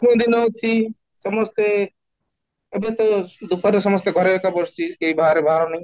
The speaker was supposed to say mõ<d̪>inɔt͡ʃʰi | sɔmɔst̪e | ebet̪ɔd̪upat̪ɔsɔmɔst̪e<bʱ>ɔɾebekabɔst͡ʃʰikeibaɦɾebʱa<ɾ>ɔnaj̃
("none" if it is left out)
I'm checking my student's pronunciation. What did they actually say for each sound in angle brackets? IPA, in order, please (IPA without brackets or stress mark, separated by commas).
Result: d̪, ɡʱ, ɾ